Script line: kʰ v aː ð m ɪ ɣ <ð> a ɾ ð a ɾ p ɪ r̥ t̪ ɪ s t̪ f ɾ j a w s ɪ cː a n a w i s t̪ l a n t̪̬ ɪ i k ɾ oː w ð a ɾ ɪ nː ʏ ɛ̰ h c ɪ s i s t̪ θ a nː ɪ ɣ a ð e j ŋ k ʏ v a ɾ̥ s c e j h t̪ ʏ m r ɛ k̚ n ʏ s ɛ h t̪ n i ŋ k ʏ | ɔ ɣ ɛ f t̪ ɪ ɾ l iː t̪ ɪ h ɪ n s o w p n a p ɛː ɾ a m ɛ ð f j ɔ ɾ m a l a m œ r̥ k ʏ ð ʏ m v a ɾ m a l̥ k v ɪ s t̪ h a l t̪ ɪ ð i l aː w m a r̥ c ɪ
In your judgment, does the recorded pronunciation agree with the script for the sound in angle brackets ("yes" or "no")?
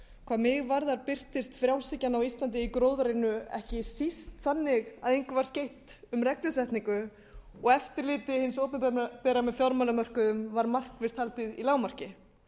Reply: no